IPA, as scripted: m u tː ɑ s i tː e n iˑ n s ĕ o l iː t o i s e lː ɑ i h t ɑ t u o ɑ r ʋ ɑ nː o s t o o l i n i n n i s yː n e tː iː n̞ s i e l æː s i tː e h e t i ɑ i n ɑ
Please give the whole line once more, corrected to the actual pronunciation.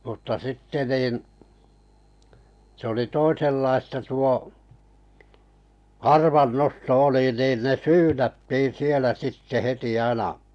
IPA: m u tː ɑ s i tː e n iˑ n s ĕ o l i t o i s e lː ɑ i s t ɑ t u o ɑ r ʋ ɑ nː o s t o o l i n i n n e s yː n æ tː iː n̞ s i e l æ s i tː e h e t i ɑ i n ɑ